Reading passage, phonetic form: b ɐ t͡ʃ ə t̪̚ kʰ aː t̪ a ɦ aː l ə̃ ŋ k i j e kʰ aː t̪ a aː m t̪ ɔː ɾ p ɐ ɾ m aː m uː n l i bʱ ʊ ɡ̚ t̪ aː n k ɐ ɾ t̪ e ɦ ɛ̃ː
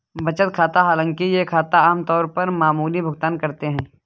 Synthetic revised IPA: b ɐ t͡ʃ ə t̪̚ kʰ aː t̪ a ɦ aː l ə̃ ŋ k i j e kʰ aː t̪ a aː m t̪ ɔː ɾ p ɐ ɾ m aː m uː l i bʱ ʊ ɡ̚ t̪ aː n k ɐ ɾ t̪ e ɦ ɛ̃ː